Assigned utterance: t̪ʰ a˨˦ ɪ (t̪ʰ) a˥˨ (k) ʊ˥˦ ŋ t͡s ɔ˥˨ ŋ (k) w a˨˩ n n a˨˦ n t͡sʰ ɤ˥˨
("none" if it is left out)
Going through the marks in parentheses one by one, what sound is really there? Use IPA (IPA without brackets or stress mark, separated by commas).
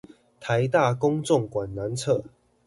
t̪, k, k